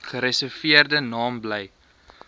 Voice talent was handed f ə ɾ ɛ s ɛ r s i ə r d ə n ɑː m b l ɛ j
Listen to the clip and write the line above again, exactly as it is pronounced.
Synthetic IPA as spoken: χ ə ɾ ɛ s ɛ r f i ə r d ə n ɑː m b l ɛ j